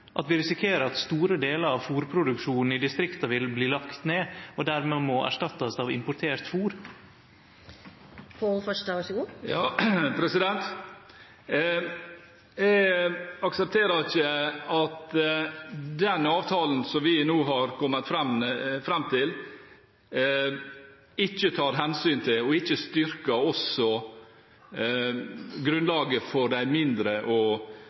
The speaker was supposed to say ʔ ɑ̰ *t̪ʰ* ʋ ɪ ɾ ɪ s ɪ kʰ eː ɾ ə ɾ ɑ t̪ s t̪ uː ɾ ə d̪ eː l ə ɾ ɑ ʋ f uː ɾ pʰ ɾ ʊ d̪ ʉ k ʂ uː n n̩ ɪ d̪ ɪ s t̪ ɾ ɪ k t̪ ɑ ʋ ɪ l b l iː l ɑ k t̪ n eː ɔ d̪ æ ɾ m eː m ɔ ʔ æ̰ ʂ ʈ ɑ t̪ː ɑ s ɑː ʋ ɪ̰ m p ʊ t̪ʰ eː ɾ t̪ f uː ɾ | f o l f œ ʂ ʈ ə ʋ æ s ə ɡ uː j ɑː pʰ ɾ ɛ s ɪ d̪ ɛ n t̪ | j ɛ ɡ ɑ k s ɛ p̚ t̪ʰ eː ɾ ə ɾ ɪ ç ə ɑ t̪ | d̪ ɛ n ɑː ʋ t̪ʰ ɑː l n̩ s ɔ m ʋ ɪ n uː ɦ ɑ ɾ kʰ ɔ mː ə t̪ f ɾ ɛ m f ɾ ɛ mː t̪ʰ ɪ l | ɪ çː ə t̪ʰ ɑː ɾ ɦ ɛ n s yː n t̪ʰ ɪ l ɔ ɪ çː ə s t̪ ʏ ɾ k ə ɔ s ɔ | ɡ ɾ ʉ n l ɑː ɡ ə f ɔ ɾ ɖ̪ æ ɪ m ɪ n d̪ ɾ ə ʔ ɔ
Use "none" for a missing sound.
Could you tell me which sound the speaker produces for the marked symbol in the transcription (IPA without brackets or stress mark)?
t̪